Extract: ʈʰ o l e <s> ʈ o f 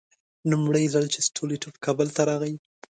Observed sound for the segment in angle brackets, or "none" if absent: none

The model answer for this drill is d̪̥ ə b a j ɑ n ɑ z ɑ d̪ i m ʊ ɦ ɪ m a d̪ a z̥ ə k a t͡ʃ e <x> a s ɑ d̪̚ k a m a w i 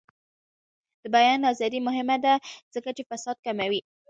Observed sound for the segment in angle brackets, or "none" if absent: f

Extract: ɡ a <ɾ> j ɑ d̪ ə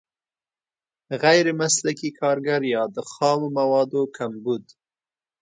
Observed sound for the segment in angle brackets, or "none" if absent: ɾ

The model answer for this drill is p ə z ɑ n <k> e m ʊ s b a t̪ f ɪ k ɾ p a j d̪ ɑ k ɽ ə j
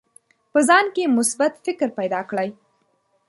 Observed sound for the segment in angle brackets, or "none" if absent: k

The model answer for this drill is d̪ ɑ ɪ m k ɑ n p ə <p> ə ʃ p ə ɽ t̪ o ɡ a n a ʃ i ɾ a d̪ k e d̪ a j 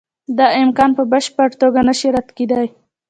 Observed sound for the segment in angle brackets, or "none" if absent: b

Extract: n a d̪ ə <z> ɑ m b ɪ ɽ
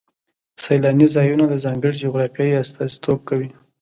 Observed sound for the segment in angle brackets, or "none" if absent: z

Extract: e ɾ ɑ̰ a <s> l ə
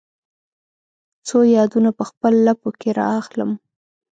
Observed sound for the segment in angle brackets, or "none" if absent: x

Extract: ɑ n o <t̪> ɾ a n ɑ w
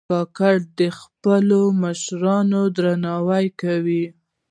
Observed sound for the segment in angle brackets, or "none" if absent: d̪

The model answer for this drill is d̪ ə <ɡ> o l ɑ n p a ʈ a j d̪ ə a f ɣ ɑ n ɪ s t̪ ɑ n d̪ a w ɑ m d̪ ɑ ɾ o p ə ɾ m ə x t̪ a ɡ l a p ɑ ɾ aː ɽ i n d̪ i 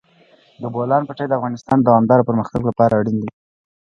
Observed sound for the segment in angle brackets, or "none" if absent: b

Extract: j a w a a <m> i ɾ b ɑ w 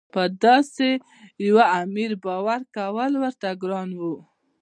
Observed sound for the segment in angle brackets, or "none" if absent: m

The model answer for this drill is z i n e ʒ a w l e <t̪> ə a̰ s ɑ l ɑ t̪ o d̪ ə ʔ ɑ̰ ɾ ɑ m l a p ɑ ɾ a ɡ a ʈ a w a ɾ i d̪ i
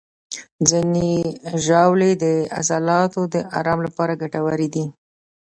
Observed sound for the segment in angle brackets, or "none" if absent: d̪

